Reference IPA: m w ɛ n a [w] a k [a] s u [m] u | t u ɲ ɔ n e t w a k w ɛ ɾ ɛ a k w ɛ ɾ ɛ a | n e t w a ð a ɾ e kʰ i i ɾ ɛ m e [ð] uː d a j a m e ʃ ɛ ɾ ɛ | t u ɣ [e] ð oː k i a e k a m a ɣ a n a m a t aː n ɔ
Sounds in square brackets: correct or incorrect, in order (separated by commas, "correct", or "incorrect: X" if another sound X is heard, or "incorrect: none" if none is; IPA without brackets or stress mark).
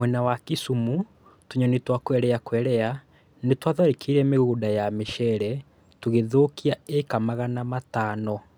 correct, incorrect: i, correct, incorrect: ɣ, correct